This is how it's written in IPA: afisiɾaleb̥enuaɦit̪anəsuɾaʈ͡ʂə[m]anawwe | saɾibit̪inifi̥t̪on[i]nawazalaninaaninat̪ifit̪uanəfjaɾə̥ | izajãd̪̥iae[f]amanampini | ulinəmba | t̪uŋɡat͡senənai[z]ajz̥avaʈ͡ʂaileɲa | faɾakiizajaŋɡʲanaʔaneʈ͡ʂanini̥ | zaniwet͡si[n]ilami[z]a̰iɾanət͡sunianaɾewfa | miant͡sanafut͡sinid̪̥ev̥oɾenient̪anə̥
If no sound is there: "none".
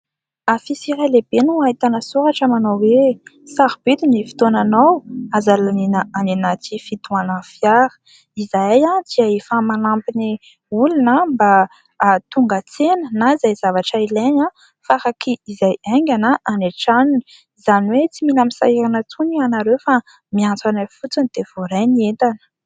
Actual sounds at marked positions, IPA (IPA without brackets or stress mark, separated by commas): m, a, f, z, m, s